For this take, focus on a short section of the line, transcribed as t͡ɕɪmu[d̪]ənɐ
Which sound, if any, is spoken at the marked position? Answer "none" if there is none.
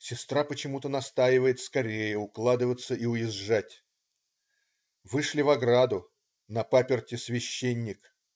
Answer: t̪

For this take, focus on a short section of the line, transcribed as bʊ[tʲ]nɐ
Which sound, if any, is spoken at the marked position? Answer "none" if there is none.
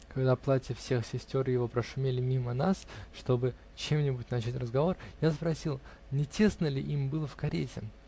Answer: tʲ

